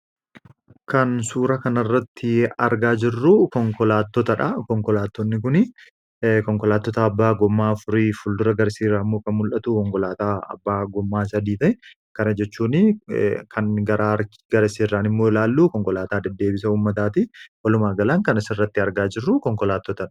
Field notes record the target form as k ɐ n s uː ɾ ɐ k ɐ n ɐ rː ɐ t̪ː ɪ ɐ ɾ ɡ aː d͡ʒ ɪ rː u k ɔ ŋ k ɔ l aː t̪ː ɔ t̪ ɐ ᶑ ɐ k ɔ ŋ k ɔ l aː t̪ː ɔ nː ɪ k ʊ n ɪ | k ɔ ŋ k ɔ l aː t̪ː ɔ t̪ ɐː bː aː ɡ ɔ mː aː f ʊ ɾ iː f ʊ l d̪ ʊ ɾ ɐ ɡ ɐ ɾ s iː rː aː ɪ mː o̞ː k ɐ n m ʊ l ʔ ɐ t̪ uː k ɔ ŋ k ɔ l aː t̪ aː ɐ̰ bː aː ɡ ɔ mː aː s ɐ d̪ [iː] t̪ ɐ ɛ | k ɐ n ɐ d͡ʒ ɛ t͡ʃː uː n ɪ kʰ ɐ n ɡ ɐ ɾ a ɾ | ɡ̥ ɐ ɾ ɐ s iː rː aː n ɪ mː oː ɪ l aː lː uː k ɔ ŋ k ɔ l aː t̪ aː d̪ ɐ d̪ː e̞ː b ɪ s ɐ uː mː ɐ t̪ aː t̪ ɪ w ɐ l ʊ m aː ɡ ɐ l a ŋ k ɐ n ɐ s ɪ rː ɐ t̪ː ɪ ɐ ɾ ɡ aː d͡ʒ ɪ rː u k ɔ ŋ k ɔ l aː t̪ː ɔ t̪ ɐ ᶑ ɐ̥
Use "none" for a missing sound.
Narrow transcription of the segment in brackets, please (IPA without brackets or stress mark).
iː